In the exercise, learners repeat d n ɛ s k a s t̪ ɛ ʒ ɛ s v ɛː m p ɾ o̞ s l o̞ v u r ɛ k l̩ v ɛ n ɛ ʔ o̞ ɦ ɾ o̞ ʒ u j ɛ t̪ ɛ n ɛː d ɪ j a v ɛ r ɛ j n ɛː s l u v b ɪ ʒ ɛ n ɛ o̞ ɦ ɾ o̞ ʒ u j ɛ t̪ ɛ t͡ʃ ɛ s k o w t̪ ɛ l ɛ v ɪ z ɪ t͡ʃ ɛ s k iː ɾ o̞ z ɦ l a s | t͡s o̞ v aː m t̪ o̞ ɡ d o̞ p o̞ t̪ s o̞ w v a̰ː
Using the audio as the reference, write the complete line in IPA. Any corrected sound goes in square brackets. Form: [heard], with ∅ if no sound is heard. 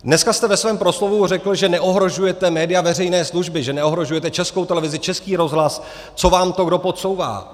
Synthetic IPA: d n ɛ s k a s t̪ ɛ [v] ɛ s v ɛː m p ɾ o̞ s l o̞ v u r ɛ k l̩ [ʒ] ɛ n ɛ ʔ o̞ ɦ ɾ o̞ ʒ u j ɛ t̪ ɛ [m] ɛː d ɪ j a v ɛ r ɛ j n ɛː s l u [ʒ] b ɪ ʒ ɛ n ɛ o̞ ɦ ɾ o̞ ʒ u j ɛ t̪ ɛ t͡ʃ ɛ s k o w t̪ ɛ l ɛ v ɪ z ɪ t͡ʃ ɛ s k iː ɾ o̞ z ɦ l a s | t͡s o̞ v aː m t̪ o̞ ɡ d o̞ p o̞ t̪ s o̞ w v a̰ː